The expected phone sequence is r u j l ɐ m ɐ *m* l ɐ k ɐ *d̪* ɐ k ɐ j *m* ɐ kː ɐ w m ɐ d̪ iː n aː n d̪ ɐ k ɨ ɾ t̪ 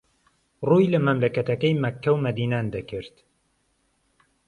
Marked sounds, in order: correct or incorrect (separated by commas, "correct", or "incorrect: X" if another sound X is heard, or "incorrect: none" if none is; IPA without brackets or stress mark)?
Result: correct, incorrect: t̪, correct